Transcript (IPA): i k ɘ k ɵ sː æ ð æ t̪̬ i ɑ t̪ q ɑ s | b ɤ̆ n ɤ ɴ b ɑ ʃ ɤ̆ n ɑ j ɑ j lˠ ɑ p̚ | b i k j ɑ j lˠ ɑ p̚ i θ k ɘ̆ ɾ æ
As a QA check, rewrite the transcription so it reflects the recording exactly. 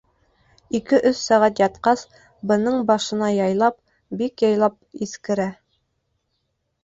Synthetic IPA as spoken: i k ɘ ʔ ɵ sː æ ʁ æ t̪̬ j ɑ t̪ q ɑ s | b ɤ̆ n ɤ ɴ b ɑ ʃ ɤ̆ n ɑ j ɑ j lˠ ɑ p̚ | b i k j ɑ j lˠ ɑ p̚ i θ k ɘ̆ ɾ æ